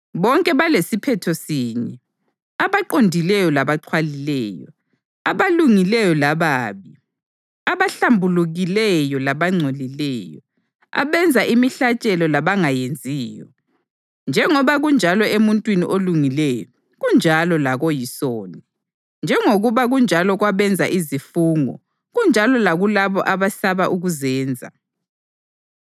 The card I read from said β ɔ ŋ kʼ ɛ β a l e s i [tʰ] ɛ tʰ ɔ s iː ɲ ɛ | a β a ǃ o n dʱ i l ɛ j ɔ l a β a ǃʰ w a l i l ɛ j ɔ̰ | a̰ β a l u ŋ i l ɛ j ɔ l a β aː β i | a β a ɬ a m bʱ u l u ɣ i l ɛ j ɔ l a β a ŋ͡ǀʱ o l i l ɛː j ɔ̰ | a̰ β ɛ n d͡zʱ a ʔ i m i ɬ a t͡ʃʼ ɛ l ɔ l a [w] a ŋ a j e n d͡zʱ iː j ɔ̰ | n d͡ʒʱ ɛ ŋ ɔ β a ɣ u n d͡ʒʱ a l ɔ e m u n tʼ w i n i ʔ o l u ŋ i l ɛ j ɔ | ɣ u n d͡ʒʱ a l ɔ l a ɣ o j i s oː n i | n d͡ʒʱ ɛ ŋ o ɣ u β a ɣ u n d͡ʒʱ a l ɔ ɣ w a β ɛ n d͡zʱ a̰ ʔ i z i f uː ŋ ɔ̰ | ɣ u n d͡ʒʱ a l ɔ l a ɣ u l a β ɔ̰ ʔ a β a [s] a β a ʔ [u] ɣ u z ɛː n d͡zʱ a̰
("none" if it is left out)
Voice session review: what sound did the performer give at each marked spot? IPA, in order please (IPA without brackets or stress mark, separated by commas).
pʰ, β, s, u